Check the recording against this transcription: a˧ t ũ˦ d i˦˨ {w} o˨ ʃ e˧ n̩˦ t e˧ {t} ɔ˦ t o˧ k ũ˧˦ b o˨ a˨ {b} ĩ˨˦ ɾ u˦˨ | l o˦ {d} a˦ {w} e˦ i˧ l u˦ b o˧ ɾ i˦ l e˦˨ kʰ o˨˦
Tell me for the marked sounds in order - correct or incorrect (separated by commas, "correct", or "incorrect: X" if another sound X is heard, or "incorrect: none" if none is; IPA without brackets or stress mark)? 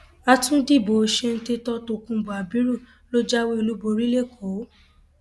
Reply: incorrect: b, correct, correct, incorrect: d͡ʒ, correct